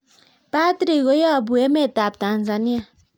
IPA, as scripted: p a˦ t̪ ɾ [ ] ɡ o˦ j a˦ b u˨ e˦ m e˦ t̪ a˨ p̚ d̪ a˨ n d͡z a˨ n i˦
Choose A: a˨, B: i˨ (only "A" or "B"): B